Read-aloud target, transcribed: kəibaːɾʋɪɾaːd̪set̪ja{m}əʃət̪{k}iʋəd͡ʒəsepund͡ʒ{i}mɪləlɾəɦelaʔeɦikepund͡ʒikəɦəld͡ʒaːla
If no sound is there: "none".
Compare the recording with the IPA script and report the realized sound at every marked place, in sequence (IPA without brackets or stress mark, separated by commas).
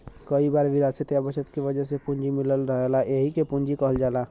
b, k, i